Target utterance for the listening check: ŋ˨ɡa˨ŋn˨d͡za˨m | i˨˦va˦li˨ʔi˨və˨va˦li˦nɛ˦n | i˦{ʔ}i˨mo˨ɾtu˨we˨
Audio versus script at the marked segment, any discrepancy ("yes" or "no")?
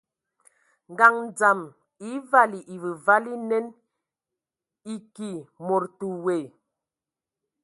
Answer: yes